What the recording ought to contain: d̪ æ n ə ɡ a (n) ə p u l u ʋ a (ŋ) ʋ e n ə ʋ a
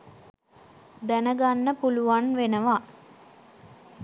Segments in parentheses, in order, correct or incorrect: incorrect: nː, incorrect: n

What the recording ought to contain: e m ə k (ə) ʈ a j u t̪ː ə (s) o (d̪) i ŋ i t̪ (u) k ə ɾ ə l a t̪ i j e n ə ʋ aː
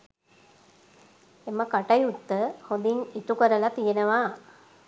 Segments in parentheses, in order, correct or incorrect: incorrect: a, incorrect: h, correct, correct

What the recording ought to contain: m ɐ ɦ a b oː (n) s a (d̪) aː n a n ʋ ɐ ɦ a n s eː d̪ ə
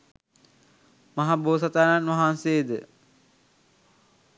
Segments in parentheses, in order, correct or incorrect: incorrect: none, incorrect: t̪

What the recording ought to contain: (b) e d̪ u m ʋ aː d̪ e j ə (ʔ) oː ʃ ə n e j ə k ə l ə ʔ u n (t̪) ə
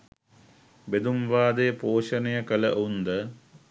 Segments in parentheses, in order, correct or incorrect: correct, incorrect: p, incorrect: d̪

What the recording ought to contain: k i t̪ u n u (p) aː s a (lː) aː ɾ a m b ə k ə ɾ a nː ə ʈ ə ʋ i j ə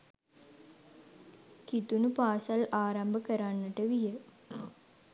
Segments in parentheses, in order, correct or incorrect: correct, incorrect: l

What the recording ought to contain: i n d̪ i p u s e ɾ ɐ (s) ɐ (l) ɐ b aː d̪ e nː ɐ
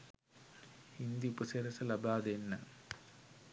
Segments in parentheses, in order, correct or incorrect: correct, correct

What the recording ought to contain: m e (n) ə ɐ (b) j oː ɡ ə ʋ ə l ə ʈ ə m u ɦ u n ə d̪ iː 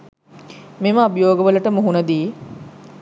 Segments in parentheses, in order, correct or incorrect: incorrect: m, correct

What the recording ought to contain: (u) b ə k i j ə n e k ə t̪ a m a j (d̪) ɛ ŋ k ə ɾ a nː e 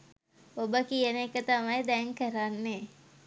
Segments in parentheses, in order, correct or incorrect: incorrect: o, correct

